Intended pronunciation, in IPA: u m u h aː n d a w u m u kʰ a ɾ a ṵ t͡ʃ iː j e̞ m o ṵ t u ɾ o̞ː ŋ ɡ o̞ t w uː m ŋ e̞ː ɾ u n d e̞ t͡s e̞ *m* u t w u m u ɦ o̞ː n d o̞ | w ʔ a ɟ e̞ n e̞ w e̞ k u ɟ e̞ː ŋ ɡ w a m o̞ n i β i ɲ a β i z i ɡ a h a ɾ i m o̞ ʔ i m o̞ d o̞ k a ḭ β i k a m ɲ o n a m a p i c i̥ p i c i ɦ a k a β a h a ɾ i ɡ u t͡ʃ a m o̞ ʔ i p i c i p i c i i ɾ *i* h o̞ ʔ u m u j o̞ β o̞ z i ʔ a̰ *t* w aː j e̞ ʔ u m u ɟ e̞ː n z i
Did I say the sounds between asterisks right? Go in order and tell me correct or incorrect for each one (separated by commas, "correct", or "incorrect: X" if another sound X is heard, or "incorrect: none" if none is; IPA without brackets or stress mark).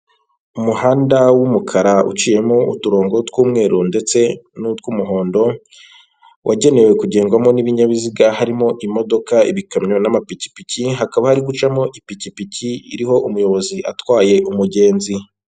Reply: incorrect: n, correct, correct